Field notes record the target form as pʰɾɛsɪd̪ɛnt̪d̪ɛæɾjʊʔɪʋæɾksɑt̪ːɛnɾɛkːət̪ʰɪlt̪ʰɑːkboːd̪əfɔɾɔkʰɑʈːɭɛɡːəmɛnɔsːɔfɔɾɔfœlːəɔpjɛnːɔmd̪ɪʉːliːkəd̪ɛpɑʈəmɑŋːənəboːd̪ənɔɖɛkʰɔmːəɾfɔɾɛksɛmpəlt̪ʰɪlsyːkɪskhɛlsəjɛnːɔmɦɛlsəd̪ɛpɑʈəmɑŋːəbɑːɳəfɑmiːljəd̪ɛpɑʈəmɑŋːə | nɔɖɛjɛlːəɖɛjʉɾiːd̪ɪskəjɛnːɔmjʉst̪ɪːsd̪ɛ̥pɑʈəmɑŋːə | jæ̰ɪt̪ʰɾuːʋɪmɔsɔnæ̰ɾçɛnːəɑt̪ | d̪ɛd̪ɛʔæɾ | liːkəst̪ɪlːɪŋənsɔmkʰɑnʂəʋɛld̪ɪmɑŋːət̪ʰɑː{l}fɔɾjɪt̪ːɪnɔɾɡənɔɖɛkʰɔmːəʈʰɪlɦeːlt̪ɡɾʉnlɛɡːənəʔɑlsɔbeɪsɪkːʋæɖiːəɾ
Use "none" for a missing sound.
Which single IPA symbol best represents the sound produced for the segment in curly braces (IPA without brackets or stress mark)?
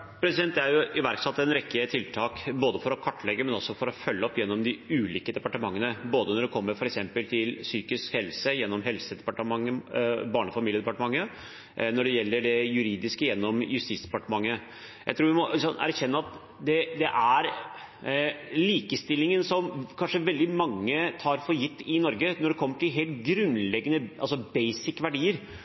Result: ɾ